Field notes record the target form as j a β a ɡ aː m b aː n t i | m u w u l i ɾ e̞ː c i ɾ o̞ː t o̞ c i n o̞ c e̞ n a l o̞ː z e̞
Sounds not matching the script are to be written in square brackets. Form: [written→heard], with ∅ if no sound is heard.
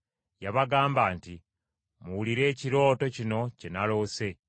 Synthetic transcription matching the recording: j a β a ɡ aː m b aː n t i | m u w u l i ɾ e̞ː c i ɾ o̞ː t o̞ c i n o̞ c e̞ n a l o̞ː [z→s] e̞